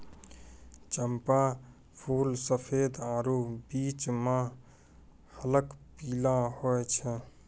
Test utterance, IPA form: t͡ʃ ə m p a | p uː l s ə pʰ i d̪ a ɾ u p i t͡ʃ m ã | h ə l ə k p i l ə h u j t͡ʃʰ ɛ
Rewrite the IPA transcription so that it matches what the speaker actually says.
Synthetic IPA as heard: t͡ʃ ə m p a | pʰ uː l s ə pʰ e d̪ a ɾ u b i t͡ʃ m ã | h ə l ə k p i l a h o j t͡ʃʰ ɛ